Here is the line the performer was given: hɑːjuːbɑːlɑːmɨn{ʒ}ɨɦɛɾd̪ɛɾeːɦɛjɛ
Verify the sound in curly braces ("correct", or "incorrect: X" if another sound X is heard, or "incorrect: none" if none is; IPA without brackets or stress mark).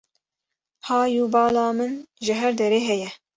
correct